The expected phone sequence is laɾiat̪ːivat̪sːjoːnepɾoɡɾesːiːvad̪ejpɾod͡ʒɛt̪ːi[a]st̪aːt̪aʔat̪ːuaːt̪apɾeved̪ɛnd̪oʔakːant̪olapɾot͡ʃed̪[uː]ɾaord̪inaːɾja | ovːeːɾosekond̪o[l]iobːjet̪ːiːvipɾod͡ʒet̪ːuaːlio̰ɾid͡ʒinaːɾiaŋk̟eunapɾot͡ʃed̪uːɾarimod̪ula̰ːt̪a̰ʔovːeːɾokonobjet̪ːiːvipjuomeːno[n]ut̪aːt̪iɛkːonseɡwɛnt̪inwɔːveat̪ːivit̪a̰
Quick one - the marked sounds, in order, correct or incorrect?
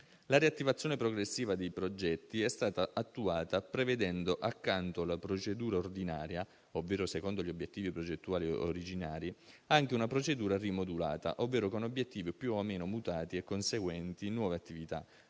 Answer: incorrect, correct, incorrect, incorrect

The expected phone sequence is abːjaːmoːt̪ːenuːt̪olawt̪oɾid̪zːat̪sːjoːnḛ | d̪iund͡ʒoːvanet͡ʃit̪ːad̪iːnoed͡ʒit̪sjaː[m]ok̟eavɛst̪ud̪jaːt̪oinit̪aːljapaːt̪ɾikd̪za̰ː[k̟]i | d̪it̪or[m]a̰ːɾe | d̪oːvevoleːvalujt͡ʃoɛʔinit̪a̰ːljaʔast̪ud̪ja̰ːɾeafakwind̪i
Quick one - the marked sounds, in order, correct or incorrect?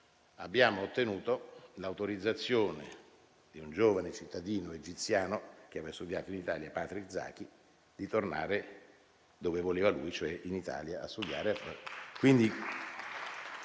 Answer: incorrect, correct, incorrect

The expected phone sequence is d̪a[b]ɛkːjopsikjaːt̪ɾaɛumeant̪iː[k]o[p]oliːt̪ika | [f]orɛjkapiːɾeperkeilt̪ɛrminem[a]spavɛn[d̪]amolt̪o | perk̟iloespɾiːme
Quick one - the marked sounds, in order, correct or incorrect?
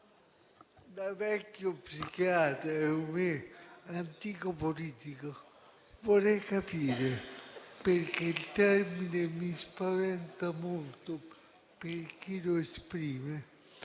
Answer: incorrect, correct, correct, incorrect, incorrect, incorrect

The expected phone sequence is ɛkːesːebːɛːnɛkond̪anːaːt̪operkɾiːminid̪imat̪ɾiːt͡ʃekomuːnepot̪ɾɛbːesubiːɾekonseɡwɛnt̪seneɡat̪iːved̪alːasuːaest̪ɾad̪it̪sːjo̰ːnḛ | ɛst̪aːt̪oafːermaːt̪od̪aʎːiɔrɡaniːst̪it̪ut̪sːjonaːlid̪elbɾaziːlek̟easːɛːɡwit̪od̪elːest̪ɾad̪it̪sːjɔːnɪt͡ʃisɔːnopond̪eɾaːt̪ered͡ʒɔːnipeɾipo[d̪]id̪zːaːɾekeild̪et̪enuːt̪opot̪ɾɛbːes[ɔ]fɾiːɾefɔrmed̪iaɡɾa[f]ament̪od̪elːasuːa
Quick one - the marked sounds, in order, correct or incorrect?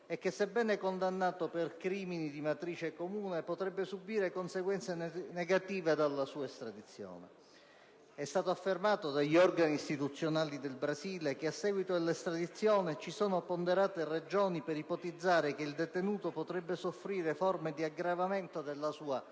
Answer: incorrect, incorrect, incorrect

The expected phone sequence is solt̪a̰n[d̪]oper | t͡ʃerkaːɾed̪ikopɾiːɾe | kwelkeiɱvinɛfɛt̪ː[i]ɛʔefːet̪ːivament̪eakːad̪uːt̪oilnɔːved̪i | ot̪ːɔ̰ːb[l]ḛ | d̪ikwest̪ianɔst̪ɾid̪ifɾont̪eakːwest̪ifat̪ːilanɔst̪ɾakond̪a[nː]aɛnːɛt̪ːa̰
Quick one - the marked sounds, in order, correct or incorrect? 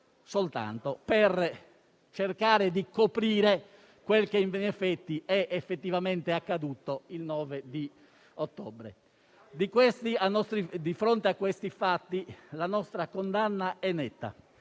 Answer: incorrect, correct, incorrect, correct

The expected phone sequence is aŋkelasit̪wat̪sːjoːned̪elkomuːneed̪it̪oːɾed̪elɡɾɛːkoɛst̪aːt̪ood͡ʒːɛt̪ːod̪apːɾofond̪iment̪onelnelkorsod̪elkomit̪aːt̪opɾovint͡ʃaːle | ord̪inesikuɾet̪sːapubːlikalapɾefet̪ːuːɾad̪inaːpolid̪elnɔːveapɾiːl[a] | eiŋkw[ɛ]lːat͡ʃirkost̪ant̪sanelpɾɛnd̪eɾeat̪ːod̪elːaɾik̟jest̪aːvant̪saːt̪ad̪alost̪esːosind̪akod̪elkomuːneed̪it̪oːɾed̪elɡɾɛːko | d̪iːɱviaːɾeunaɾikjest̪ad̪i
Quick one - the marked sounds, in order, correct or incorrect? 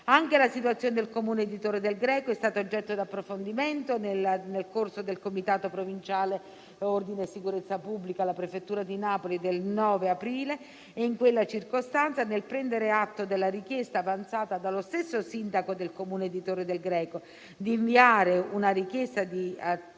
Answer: incorrect, incorrect

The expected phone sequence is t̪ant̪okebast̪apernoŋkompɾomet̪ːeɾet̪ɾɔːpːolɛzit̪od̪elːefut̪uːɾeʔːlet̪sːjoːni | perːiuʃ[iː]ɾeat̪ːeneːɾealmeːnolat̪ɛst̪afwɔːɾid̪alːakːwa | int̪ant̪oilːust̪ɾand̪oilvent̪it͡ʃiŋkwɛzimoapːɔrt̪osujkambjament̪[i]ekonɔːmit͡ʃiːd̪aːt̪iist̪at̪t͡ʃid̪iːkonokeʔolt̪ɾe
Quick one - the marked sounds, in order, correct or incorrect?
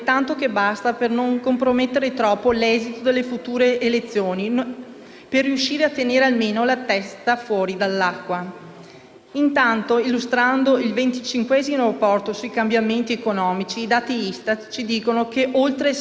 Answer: correct, correct

